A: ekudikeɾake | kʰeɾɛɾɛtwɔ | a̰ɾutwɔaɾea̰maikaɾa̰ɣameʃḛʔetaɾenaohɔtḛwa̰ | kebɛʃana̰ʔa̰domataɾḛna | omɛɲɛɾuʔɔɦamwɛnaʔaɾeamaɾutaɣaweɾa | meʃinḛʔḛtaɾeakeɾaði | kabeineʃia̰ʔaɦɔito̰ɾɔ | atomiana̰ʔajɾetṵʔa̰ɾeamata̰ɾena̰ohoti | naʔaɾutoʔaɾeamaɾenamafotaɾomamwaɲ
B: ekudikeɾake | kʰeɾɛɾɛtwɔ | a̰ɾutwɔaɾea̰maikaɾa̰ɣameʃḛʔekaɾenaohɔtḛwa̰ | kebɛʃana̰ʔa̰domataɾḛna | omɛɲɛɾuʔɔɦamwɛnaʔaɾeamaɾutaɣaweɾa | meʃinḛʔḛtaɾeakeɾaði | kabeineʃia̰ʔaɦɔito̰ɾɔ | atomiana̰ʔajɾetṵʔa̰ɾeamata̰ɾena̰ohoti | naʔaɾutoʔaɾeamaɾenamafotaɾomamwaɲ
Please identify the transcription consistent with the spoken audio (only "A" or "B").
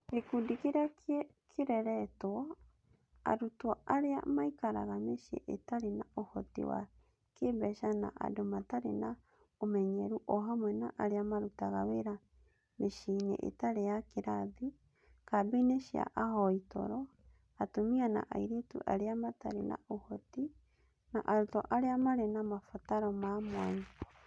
A